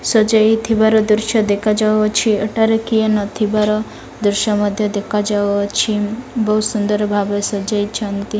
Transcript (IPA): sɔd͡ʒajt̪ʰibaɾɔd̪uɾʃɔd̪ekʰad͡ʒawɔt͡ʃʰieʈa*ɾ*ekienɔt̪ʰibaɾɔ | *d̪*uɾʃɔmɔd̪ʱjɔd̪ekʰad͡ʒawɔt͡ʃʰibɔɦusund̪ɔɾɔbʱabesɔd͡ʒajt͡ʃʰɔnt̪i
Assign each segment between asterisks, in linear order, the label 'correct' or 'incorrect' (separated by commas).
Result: correct, correct